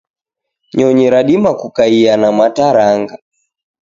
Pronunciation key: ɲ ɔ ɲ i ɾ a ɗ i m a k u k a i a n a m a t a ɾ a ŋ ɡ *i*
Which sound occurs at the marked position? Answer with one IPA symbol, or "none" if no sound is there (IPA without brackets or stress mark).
a